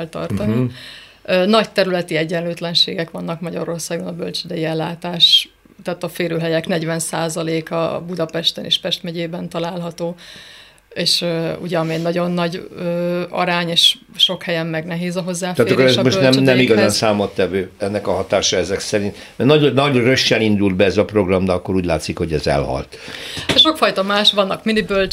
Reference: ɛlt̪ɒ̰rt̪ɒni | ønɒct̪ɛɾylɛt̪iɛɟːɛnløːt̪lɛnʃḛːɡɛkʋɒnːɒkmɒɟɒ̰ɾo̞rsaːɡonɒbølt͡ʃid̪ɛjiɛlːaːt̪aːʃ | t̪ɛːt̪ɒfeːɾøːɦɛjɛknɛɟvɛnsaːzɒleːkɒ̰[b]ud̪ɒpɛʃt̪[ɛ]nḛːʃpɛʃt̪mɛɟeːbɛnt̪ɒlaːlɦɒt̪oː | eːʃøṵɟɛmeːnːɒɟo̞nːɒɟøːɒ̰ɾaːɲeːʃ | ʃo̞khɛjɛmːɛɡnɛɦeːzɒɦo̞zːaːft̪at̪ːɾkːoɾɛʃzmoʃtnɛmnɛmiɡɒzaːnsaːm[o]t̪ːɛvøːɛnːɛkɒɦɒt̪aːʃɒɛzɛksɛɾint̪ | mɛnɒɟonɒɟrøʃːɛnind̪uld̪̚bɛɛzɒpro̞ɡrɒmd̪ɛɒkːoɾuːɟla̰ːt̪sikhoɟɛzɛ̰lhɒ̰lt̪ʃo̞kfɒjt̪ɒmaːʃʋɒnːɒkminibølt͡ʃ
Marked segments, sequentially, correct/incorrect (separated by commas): correct, correct, correct